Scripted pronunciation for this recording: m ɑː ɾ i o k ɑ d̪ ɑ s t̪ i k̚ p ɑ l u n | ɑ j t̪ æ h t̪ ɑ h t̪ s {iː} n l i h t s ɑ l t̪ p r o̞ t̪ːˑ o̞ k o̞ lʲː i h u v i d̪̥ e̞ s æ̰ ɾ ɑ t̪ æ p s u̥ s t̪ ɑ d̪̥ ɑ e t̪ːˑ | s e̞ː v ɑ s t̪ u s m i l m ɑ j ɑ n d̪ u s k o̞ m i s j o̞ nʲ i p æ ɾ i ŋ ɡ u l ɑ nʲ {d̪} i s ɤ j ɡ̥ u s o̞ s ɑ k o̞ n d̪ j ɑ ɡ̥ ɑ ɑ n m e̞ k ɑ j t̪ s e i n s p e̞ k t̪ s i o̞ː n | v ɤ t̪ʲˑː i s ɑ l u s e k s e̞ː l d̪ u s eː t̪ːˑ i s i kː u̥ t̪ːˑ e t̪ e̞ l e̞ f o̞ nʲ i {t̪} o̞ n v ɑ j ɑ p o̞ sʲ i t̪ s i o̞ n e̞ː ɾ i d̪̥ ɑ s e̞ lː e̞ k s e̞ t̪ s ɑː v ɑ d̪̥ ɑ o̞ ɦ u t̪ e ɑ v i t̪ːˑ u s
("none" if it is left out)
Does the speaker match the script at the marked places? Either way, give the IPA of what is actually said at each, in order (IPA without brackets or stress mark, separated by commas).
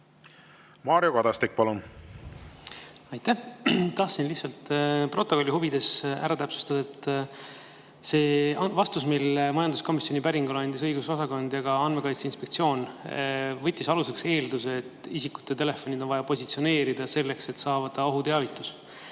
i, d̪, d̪